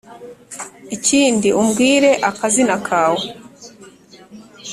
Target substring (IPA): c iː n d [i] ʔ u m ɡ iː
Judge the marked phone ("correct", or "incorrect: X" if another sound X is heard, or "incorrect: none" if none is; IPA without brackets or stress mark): correct